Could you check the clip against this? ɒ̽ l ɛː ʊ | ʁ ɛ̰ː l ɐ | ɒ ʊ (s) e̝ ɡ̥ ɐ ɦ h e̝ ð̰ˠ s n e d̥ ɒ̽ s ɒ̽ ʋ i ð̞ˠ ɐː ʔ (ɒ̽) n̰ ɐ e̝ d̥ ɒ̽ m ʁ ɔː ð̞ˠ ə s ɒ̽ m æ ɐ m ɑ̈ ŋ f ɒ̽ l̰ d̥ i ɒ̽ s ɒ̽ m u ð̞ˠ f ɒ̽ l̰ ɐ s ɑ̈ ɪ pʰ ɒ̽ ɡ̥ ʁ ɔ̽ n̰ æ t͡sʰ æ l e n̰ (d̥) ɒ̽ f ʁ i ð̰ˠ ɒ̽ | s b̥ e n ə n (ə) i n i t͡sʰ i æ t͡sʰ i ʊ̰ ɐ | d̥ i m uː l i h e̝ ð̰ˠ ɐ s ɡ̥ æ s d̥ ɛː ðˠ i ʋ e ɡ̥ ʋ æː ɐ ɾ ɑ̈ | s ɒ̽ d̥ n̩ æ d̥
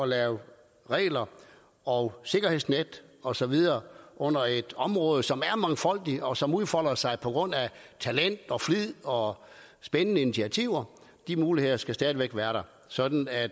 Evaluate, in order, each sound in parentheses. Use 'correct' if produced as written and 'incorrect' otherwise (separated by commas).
correct, incorrect, correct, correct